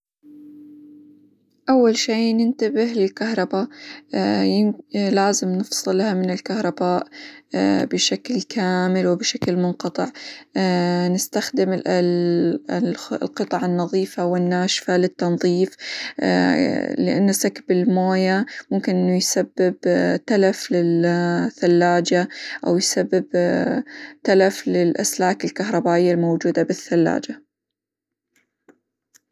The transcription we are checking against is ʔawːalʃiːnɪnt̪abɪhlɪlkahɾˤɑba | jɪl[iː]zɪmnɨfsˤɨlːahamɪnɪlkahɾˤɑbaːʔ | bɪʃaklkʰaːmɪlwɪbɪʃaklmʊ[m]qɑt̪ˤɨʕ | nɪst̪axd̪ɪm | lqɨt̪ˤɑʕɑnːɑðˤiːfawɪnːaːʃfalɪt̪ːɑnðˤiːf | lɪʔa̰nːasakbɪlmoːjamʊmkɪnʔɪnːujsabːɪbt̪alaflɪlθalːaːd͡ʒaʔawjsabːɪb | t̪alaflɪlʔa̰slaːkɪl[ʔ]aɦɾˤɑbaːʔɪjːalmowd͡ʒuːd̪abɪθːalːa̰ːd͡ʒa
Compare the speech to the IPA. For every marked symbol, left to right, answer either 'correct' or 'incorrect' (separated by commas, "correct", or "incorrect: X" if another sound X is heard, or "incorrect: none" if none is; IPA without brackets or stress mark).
incorrect: aː, incorrect: n, incorrect: k